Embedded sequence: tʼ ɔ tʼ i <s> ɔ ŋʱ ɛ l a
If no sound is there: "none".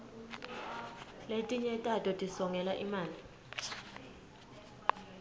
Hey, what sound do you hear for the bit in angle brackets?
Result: s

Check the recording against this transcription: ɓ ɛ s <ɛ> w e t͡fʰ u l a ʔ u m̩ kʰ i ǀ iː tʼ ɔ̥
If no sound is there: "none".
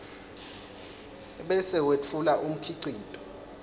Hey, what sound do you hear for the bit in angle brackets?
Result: ɛ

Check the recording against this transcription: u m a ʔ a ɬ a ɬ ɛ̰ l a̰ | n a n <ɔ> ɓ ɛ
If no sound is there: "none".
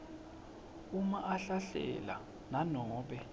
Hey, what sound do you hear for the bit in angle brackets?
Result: ɔː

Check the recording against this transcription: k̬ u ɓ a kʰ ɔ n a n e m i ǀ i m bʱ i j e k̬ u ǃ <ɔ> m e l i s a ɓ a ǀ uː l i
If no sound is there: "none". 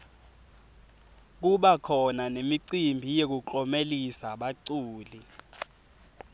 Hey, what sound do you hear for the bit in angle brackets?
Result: ɔ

